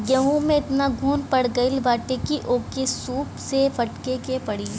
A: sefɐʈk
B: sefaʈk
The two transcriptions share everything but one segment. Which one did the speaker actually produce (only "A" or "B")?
A